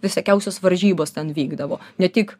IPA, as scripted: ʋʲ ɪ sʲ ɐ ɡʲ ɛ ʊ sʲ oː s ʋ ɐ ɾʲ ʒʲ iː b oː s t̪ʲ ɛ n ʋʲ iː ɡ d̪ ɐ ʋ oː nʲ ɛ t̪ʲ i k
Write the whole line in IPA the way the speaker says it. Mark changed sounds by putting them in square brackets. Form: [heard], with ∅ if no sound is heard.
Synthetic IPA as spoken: ʋʲ ɪ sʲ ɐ [kʲ] ɛ ʊ sʲ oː s ʋ ɐ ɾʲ ʒʲ iː b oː s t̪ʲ ɛ n ʋʲ iː ɡ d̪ ɐ ʋ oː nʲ ɛ t̪ʲ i k